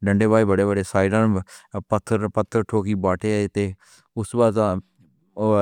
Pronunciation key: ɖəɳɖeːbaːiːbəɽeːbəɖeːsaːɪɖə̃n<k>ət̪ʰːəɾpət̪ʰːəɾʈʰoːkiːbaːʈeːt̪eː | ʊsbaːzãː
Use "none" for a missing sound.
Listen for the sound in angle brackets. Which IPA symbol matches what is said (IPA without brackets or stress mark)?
p